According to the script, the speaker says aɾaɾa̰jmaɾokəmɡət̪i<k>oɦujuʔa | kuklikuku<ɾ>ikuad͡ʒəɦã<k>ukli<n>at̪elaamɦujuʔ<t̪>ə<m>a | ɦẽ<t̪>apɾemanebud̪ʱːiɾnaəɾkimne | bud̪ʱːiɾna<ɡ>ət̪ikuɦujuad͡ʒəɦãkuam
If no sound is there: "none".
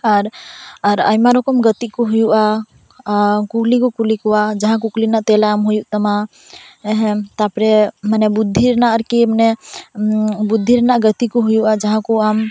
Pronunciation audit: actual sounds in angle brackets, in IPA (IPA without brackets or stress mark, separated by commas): k, l, k, n, t̪, m, t̪, ɡ